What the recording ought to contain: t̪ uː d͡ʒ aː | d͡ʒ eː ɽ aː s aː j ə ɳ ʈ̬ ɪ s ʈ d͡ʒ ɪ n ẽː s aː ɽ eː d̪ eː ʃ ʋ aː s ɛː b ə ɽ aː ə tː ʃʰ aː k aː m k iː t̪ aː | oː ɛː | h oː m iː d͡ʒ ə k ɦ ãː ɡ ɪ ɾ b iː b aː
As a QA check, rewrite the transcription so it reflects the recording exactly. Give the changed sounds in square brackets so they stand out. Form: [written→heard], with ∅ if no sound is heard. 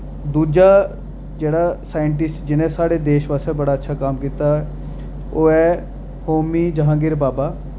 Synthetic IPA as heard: [t̪→d̪] uː d͡ʒ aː | d͡ʒ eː ɽ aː s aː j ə ɳ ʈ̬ ɪ s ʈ d͡ʒ ɪ n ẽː s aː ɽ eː d̪ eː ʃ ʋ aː s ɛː b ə ɽ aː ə tː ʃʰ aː k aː m k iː t̪ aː | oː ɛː | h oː m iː d͡ʒ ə [k→∅] ɦ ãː ɡ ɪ ɾ b [iː→aː] b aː